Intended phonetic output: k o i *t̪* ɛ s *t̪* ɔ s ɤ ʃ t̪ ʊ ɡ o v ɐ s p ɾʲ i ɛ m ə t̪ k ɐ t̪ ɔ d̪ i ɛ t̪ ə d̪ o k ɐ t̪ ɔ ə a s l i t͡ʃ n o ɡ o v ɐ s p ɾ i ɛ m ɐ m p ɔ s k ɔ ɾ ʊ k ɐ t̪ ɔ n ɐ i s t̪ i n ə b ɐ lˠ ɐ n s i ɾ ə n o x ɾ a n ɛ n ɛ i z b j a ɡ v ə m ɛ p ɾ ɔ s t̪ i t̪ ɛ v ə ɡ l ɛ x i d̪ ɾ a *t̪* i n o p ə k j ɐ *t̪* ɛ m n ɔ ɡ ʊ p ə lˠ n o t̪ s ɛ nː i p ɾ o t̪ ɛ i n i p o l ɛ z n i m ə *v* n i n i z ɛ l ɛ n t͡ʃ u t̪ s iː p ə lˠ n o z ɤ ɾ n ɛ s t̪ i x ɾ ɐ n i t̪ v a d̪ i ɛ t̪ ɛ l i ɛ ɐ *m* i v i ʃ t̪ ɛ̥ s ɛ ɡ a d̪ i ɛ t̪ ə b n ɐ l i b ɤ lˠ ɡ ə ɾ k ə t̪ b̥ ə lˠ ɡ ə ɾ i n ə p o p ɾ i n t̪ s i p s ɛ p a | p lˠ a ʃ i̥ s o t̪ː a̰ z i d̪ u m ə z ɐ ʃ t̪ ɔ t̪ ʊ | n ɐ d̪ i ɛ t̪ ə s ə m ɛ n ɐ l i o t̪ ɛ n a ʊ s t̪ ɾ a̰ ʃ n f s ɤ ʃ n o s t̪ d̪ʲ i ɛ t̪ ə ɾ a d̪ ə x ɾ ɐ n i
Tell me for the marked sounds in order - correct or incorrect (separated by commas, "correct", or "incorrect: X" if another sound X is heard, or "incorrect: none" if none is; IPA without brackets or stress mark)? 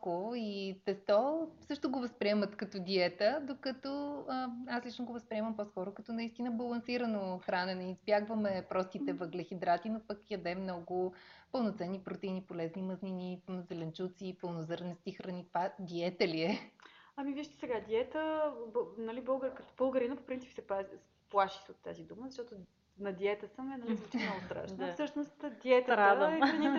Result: correct, correct, correct, incorrect: d̪, incorrect: z, correct